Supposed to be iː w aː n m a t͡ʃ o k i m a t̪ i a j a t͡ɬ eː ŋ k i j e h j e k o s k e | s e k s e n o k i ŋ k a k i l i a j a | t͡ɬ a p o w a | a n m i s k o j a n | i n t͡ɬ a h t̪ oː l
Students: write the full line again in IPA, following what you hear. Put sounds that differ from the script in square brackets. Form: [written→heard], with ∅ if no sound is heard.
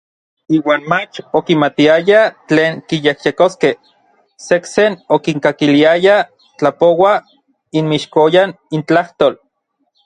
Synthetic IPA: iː w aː n m a t͡ʃ o k i m a t̪ i a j a t͡ɬ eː ŋ k i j e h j e k o s k e | s e k s e n o k i ŋ k a k i l i a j a | t͡ɬ a p o w a | [a→i] n m i [s→ʃ] k o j a n | i n t͡ɬ a h t̪ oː l